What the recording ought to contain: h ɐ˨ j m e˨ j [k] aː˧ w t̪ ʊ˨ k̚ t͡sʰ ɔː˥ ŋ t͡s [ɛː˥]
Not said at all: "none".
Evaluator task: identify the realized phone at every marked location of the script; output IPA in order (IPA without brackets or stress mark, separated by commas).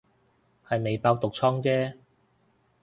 p, ɛː˥